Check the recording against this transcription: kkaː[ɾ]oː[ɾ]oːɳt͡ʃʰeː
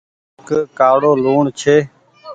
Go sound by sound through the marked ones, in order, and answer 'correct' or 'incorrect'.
incorrect: ɽ, incorrect: l

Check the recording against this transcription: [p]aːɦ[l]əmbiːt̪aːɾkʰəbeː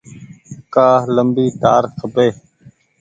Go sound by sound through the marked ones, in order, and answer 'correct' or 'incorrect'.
incorrect: k, correct

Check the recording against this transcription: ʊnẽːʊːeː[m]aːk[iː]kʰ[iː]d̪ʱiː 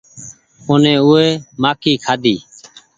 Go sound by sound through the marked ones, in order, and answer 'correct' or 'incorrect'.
correct, correct, incorrect: aː

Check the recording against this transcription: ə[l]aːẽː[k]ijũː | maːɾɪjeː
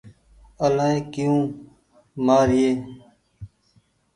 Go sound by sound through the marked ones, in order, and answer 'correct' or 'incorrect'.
correct, correct

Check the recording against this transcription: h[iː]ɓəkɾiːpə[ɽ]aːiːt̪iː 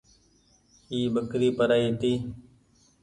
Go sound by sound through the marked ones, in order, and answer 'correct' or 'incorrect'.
correct, incorrect: ɾ

